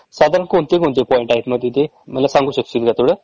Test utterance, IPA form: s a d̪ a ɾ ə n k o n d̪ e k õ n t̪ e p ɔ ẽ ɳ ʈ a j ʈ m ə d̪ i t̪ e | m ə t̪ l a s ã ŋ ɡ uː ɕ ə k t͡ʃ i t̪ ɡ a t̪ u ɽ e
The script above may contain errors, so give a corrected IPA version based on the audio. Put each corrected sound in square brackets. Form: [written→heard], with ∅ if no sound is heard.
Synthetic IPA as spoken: s a d̪ a ɾ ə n k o n [d̪→t̪] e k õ n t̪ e p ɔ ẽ ɳ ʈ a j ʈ m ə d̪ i t̪ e | m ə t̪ l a s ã ŋ ɡ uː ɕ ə k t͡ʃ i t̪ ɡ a t̪ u ɽ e